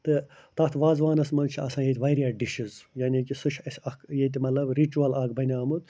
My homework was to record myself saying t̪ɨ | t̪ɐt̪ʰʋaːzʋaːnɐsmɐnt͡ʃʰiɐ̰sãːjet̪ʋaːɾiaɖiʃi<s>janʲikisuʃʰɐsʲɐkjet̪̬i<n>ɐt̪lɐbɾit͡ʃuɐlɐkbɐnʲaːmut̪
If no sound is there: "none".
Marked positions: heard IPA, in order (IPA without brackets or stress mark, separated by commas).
z, m